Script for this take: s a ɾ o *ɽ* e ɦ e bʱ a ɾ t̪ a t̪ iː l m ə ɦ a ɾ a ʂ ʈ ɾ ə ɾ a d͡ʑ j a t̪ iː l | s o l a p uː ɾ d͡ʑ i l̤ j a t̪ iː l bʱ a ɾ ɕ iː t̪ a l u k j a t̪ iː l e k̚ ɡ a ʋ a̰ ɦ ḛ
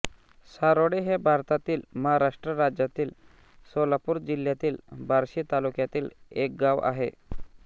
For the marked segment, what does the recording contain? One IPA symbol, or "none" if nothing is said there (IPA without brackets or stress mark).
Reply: ɽ